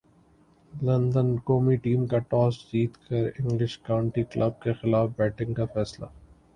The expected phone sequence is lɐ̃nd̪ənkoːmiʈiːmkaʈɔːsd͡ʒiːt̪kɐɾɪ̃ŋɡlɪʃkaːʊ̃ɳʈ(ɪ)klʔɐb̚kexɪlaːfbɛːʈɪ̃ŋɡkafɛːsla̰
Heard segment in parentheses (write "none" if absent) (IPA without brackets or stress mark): i